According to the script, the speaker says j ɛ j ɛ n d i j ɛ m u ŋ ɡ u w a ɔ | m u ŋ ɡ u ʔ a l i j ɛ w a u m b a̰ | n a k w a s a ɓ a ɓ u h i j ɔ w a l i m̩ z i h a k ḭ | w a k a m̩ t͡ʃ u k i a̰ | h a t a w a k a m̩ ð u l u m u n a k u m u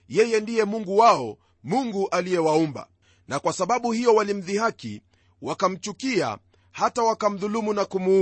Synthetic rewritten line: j ɛ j ɛ n d i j ɛ m u ŋ ɡ u w a ɔ | m u ŋ ɡ u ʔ a l i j ɛ w a u m b a̰ | n a k w a s a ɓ a ɓ u h i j ɔ w a l i m̩ ð i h a k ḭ | w a k a m̩ t͡ʃ u k i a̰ | h a t a w a k a m̩ ð u l u m u n a k u m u